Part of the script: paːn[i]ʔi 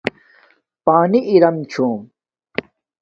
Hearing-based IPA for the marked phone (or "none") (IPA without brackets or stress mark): i